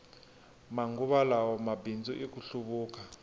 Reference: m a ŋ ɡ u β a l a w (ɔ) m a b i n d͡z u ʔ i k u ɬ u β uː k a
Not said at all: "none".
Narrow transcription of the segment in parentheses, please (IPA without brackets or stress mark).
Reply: ɔ